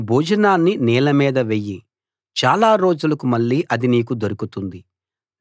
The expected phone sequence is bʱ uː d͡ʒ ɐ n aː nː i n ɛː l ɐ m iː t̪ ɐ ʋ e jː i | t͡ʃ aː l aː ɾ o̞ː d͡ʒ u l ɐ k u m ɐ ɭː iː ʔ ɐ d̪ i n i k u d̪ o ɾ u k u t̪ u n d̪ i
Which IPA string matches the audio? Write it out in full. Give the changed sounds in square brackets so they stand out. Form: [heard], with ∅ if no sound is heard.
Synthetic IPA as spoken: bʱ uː d͡ʒ ɐ n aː nː i n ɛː l ɐ m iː [d̪] ɐ ʋ e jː i | t͡ʃ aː l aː ɾ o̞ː d͡ʒ u l ɐ k u m ɐ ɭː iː ʔ ɐ d̪ i n [iː] k u d̪ o ɾ u k u t̪ u n d̪ i